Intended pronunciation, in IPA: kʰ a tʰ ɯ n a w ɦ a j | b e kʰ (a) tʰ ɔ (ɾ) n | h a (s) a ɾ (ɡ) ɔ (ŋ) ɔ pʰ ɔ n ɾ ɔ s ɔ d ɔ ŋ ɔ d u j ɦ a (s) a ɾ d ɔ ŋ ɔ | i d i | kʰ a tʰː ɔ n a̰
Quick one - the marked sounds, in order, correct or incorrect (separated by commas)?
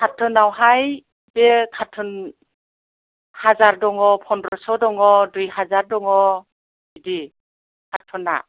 correct, incorrect, incorrect, incorrect, correct, incorrect